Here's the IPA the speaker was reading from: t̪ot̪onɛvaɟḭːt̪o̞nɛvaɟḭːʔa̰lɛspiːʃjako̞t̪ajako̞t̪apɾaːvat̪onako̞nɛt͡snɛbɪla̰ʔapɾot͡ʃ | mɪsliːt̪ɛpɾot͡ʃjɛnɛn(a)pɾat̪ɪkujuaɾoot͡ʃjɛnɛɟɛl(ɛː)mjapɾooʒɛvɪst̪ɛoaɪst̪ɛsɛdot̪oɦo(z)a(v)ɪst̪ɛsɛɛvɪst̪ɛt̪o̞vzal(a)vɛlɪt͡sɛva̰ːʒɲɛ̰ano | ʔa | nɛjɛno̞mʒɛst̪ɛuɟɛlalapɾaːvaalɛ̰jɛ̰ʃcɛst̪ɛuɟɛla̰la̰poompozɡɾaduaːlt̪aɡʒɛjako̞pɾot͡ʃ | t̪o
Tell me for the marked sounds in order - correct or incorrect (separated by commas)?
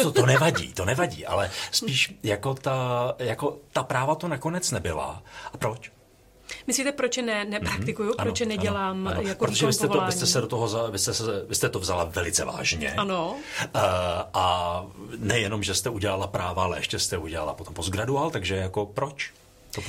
incorrect, incorrect, correct, correct, correct